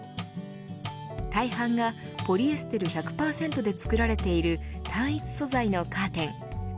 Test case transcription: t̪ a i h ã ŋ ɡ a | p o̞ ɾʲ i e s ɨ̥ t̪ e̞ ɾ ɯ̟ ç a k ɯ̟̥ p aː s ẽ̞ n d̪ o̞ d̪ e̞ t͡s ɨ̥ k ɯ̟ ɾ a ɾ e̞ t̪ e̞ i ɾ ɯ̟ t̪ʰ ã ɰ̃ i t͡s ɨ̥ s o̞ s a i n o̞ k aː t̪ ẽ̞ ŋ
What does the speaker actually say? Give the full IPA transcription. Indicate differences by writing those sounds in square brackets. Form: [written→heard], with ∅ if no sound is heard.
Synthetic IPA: t̪ a i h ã ŋ ɡ a | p o̞ ɾʲ i e s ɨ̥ t̪ e̞ ɾ ɯ̟ ç a k ɯ̟̥ p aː s ẽ̞ n [d̪→t̪] o̞ d̪ e̞ t͡s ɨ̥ k ɯ̟ ɾ a ɾ e̞ t̪ e̞ i ɾ ɯ̟ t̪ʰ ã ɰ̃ i t͡s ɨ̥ s o̞ [s→z] a i n o̞ k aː t̪ ẽ̞ ŋ